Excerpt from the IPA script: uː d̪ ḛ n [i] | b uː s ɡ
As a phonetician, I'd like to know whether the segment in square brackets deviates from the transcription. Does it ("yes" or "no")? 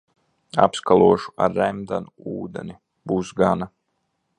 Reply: no